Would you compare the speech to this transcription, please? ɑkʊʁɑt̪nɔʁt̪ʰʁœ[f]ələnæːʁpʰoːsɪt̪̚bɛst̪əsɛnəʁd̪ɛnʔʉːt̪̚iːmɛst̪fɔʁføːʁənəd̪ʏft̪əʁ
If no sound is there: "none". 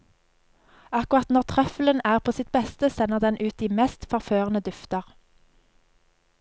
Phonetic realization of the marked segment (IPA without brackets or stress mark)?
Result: f